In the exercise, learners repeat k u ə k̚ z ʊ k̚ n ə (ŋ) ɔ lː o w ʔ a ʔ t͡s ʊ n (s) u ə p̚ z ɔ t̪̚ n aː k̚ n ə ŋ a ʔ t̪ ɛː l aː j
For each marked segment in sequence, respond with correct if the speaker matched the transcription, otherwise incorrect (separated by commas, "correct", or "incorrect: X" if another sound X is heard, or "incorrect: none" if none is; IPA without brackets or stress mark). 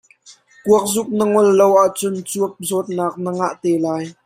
correct, incorrect: t͡s